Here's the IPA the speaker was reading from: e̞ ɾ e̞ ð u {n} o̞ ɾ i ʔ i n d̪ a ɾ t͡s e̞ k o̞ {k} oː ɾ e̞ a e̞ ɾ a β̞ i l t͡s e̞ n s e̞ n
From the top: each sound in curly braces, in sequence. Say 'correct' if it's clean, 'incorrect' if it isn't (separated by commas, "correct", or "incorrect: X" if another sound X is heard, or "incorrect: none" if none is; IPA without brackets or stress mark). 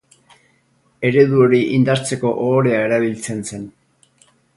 incorrect: none, incorrect: ʔ